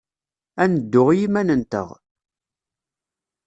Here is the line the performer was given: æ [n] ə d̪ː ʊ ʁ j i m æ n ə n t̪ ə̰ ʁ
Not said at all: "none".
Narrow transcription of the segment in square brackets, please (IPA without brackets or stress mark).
n